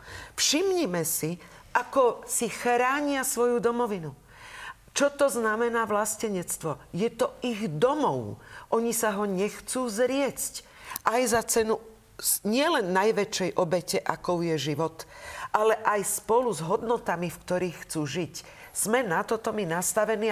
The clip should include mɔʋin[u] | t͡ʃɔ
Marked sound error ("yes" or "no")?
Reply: no